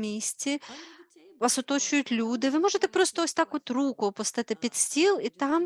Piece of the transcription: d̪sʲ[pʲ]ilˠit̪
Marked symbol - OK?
no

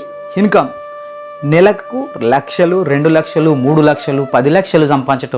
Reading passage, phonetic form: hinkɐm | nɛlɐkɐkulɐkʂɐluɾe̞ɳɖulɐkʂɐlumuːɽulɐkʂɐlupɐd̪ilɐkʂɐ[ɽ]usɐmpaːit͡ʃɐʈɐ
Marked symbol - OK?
no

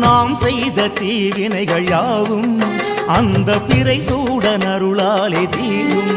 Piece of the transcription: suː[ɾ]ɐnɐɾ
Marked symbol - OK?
no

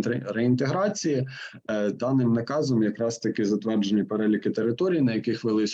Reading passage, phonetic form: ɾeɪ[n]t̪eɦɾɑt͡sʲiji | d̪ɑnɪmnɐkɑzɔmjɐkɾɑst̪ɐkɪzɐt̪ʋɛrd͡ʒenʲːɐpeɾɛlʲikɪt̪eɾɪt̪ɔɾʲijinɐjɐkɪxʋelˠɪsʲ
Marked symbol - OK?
yes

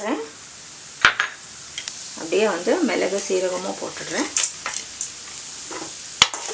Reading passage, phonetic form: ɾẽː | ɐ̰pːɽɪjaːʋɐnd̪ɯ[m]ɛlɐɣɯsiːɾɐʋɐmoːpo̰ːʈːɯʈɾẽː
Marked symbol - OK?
yes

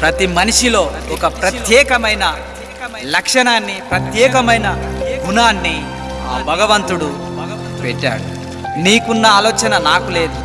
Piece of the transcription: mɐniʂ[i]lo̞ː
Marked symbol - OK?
yes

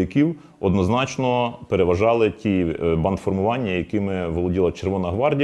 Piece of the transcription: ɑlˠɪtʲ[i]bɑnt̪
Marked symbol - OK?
yes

